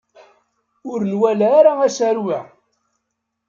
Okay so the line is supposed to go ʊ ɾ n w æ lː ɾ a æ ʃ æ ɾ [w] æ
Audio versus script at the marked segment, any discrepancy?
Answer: no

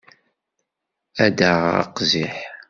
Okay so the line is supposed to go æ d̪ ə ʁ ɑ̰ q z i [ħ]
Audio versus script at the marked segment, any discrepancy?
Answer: no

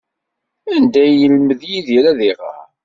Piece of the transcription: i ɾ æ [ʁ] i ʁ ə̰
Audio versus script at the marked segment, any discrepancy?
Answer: yes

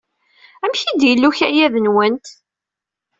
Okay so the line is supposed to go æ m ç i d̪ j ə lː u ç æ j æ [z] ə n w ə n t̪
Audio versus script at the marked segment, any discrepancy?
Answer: yes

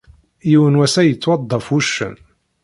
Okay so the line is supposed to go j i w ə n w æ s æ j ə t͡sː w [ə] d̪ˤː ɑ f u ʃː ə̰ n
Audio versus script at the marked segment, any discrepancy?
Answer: yes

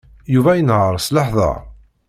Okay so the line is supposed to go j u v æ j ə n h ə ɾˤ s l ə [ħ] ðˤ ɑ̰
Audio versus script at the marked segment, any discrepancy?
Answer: no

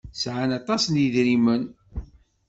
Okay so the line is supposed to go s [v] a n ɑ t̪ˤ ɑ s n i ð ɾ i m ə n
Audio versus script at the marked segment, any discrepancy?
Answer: yes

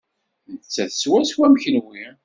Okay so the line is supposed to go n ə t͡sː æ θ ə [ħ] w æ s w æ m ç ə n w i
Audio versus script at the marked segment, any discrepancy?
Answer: yes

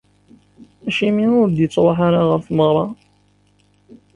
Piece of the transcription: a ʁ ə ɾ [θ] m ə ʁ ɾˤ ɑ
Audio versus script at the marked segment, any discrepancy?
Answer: yes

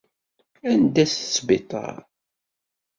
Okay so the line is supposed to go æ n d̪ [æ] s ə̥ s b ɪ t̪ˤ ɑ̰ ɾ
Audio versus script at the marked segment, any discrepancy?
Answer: no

